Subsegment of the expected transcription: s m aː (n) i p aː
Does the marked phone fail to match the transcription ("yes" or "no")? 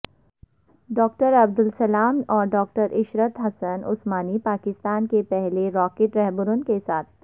no